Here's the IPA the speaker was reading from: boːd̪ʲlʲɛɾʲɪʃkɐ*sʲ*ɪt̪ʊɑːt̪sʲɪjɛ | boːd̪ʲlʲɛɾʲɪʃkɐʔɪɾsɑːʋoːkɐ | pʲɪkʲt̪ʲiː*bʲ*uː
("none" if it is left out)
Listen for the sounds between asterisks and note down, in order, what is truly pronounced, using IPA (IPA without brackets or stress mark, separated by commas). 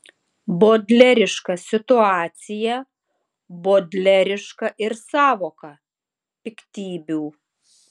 sʲ, bʲ